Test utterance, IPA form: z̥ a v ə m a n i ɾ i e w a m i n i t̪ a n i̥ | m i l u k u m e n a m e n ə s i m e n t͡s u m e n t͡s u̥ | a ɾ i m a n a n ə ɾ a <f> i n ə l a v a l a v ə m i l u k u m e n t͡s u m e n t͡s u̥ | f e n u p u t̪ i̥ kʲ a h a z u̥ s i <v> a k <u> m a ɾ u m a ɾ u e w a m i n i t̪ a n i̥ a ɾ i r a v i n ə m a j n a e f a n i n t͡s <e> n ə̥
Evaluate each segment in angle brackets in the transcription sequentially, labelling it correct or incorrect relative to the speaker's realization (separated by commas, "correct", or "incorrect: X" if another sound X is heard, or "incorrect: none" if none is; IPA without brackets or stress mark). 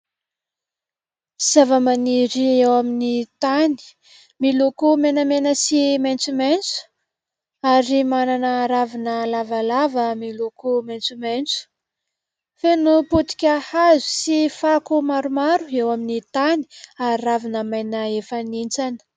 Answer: incorrect: v, incorrect: f, correct, incorrect: a